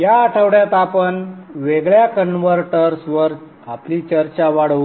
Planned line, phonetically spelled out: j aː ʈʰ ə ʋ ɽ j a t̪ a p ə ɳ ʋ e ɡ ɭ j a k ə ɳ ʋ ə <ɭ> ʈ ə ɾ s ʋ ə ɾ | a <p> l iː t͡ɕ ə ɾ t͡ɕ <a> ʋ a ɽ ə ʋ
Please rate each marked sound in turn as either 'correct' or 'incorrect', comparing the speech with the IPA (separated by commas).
incorrect, correct, correct